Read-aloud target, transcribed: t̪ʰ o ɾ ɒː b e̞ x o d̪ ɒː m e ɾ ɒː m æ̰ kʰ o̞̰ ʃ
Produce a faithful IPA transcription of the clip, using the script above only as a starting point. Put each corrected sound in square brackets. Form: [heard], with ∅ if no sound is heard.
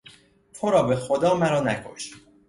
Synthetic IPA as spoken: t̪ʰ o ɾ ɒː b e̞ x o d̪ ɒː m [æ] ɾ ɒː [n] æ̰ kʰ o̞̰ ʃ